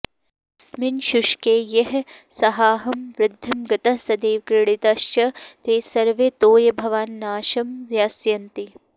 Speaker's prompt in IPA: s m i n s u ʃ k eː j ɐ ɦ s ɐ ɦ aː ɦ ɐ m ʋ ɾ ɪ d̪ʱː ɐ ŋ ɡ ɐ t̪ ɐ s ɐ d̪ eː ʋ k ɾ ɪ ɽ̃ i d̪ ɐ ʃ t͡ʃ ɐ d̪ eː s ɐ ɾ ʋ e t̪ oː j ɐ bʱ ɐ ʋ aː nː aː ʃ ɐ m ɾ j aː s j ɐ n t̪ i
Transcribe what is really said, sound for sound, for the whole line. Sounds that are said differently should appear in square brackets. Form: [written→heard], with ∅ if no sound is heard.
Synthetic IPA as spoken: s m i n [s→ʃ] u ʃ k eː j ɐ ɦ s ɐ ɦ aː ɦ ɐ m ʋ ɾ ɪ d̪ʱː ɐ [ŋ→m] ɡ ɐ t̪ ɐ s ɐ d̪ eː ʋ k ɾ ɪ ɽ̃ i [d̪→t̪] ɐ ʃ t͡ʃ ɐ [d̪→t̪] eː s ɐ ɾ ʋ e t̪ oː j ɐ bʱ ɐ ʋ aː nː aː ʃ ɐ m ɾ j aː s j ɐ n t̪ i